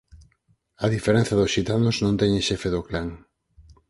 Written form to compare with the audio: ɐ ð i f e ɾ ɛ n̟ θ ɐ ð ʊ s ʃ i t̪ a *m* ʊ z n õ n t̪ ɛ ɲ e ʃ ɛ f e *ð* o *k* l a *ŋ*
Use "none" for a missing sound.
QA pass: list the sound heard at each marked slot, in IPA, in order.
n, ð, k, ŋ

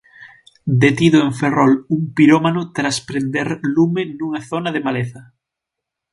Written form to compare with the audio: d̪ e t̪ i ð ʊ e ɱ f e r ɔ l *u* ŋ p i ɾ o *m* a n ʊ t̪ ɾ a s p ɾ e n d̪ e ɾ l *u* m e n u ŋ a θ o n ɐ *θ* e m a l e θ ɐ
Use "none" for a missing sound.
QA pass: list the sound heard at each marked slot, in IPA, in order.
u, m, u, ð

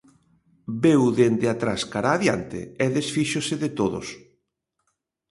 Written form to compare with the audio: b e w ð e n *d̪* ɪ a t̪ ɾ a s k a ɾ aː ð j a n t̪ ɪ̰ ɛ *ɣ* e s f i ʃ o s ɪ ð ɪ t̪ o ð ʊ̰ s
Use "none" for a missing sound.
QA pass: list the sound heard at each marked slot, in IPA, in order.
d̪, ð

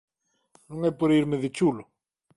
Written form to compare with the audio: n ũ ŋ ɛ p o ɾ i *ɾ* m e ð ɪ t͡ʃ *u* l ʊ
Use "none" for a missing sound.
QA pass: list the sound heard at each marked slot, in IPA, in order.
ɾ, u

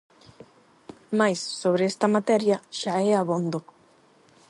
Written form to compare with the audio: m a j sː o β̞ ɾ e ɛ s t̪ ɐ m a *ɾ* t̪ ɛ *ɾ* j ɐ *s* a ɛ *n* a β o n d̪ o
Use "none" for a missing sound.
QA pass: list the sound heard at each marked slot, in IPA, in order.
none, ɾ, ʃ, none

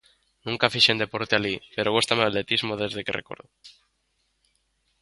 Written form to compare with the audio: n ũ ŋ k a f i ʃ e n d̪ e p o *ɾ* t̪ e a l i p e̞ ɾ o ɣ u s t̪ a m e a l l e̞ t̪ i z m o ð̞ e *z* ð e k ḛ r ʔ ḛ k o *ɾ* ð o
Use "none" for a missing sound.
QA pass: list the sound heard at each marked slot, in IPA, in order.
ɾ, z, ɾ

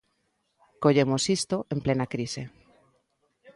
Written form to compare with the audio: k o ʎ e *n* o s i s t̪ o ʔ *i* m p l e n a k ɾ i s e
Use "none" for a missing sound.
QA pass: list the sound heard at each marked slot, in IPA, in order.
m, e

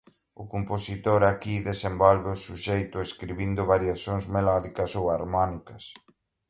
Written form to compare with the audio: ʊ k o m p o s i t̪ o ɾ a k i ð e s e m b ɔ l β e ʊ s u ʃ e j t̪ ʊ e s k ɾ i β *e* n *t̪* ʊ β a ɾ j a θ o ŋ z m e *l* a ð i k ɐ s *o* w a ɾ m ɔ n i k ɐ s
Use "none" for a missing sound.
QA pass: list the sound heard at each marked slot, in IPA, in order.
i, d̪, l, o

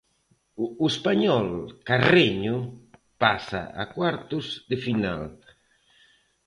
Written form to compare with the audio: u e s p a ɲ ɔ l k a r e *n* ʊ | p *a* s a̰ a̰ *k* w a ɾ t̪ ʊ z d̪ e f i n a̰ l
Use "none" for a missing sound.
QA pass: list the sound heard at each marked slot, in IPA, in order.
ɲ, a, k

